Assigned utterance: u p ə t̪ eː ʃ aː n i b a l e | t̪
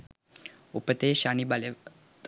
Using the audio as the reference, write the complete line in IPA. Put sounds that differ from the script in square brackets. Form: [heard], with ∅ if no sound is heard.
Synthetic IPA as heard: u p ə t̪ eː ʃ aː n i b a l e | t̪